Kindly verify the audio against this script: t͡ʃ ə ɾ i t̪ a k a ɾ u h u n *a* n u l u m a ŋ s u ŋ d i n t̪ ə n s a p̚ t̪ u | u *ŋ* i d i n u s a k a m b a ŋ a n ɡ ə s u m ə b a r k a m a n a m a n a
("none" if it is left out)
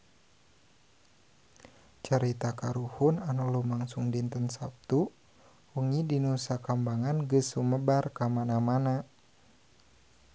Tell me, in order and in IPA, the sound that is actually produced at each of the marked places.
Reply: a, ŋ

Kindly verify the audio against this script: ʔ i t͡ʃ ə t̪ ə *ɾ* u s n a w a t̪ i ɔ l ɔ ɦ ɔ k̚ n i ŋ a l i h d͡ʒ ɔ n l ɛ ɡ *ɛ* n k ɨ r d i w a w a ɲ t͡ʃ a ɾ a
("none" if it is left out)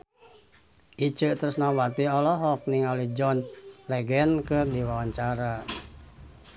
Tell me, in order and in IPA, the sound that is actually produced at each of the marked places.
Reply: ɾ, ɛ

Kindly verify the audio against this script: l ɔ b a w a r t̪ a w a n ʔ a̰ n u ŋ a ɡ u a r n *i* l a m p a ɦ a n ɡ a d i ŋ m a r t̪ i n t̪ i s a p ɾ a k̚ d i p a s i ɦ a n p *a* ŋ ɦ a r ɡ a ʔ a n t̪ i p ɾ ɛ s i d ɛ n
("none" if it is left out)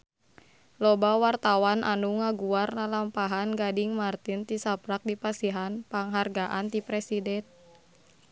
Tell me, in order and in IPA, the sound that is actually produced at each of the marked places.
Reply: a, a

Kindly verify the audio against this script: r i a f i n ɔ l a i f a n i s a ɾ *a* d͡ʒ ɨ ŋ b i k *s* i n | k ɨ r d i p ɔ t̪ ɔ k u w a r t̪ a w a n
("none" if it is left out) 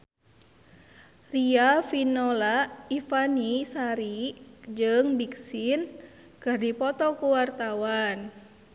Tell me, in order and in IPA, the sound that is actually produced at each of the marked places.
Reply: i, s

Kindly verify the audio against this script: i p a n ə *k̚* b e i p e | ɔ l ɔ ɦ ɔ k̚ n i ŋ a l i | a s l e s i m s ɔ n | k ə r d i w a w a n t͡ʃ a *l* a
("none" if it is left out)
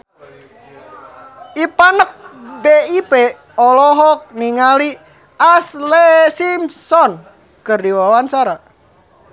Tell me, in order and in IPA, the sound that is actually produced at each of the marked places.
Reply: k̚, ɾ

